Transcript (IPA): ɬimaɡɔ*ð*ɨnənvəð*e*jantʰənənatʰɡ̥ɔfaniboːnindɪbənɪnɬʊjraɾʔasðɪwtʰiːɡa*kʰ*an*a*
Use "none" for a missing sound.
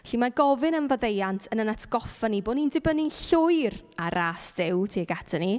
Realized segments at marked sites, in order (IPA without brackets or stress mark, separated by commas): v, e, tʰ, i